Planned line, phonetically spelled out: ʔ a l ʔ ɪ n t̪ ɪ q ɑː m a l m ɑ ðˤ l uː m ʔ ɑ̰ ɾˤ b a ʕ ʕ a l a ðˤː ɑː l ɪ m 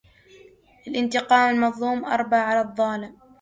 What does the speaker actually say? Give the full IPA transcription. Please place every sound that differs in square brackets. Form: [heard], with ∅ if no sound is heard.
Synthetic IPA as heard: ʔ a l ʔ ɪ n t̪ ɪ q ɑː m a l m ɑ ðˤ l uː m ʔ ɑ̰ ɾˤ b a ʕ ʕ a l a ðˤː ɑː l ɪ m